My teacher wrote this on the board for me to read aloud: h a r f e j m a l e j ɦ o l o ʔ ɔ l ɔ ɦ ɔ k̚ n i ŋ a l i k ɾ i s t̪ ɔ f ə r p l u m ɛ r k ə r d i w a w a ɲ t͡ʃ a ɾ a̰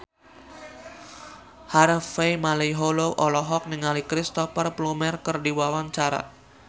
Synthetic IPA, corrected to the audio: h a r f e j m a l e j ɦ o l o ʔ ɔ l ɔ ɦ ɔ k̚ n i ŋ a l i k ɾ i s t̪ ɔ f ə r p l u m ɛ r k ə r d i w a w a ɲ t͡ʃ a ɾ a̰